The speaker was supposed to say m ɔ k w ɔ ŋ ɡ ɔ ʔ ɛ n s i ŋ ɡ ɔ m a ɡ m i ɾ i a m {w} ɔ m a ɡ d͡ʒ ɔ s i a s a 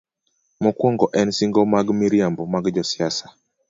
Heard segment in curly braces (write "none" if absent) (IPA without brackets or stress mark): b